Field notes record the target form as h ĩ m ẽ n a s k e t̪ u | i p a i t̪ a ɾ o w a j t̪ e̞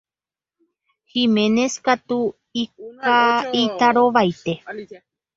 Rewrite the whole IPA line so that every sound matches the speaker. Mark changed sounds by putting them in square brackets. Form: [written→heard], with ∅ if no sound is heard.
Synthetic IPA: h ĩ m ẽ n [a→e] s k [e→a] t̪ u | i [p→k] a i t̪ a ɾ o [w→ʋ] a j t̪ e̞